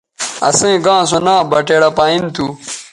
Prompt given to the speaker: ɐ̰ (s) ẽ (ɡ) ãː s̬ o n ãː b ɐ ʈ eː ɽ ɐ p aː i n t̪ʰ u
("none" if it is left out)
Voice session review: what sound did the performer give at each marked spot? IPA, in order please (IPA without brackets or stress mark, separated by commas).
s, ɡ